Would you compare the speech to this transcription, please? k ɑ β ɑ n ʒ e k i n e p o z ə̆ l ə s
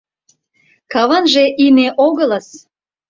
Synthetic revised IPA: k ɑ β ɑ n ʒ e ʔ i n e ʔ o ɣ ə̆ l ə s